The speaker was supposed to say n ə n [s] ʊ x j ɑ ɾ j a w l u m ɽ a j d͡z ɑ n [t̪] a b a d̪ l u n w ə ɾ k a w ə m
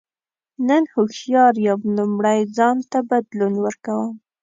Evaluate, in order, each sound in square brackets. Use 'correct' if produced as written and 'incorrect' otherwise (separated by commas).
incorrect, correct